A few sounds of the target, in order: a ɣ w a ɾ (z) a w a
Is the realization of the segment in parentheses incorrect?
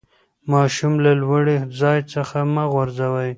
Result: no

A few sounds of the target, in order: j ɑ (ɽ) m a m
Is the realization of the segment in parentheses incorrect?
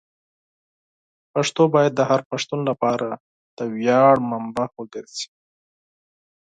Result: no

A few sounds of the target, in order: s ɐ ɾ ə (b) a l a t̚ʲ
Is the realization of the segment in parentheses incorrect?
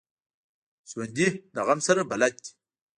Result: no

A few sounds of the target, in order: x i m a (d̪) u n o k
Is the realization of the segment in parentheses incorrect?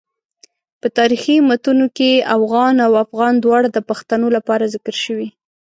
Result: yes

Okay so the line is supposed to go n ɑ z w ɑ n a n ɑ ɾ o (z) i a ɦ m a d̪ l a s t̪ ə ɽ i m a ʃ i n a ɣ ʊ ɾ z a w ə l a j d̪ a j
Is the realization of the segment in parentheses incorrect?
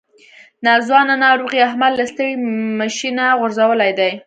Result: yes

